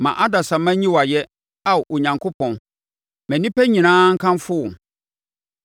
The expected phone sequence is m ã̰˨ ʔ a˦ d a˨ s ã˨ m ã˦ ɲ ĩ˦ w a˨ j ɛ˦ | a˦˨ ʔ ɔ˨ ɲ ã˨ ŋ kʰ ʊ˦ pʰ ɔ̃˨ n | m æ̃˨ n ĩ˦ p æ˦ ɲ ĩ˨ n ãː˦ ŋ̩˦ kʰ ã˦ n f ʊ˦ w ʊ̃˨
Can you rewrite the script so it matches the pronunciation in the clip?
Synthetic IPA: m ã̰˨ ʔ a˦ d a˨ s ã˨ m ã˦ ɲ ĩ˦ w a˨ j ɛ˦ | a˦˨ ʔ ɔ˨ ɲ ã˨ ŋ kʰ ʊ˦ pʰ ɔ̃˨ n | m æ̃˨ n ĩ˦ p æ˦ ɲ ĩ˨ n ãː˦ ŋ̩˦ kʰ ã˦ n f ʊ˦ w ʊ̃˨